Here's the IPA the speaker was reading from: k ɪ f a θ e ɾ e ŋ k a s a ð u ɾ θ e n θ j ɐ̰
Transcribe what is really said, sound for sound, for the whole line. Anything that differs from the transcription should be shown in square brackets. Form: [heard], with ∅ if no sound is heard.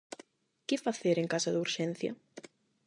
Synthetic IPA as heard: k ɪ f a θ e ɾ e ŋ k a s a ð u ɾ [ʃ] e n θ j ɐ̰